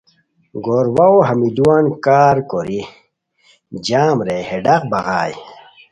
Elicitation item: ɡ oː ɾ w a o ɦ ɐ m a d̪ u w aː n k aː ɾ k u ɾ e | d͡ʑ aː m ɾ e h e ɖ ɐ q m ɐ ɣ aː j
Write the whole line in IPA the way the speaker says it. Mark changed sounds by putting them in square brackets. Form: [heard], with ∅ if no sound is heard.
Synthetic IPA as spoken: ɡ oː ɾ w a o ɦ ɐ m [i] d̪ u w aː n k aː ɾ k [o] ɾ [i] | d͡ʑ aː m ɾ e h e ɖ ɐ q [b] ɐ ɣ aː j